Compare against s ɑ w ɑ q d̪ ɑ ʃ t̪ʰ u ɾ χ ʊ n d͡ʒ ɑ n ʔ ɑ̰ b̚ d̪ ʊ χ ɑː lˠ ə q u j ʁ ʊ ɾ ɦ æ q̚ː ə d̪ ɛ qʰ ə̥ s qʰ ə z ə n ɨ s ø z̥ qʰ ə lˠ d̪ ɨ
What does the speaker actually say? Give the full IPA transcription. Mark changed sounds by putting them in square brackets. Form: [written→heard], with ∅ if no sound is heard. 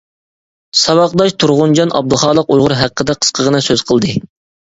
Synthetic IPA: s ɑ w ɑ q d̪ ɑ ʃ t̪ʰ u ɾ [χ→ʁ] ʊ n d͡ʒ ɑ n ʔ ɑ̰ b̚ d̪ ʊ χ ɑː lˠ ə q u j ʁ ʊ ɾ ɦ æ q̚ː ə d̪ ɛ qʰ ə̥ s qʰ ə [z→ʁ] ə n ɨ s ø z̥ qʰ ə lˠ d̪ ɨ